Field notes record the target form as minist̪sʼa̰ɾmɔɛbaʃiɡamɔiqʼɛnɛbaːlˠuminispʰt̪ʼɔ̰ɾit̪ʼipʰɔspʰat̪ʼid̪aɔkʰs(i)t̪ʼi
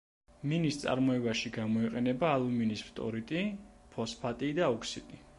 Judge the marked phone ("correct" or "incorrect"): correct